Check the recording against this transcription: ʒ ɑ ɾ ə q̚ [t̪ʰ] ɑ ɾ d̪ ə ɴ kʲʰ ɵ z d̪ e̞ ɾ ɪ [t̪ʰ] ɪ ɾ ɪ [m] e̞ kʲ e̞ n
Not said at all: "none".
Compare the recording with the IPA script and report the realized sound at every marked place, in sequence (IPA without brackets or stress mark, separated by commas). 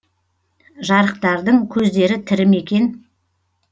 t̪, t̪ʰ, m